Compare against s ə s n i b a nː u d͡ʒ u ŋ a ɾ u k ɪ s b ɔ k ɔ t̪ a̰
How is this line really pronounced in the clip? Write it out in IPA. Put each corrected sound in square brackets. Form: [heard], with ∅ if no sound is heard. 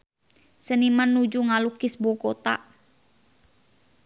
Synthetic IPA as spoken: s ə [∅] n i [m] a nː u d͡ʒ u ŋ a [l] u k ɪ s b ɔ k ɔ t̪ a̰